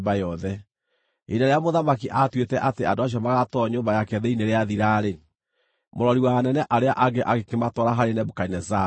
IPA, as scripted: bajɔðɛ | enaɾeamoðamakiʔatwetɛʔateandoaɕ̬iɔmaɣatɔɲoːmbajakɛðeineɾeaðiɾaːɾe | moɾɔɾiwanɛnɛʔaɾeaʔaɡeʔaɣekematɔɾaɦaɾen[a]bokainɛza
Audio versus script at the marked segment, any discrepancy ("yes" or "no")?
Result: yes